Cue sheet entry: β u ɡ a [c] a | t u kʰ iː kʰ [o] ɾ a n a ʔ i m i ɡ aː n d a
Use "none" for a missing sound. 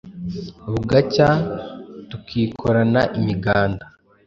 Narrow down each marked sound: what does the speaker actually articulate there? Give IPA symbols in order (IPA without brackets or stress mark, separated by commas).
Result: c, o